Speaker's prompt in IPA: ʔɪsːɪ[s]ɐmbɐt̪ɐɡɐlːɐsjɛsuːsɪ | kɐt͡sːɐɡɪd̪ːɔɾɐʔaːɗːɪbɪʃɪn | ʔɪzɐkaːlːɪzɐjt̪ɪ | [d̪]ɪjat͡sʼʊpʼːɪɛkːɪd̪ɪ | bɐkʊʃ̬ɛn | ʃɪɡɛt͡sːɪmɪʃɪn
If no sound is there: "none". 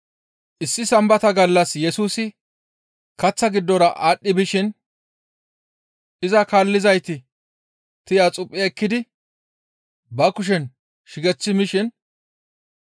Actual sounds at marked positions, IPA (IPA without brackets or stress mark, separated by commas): s, t̪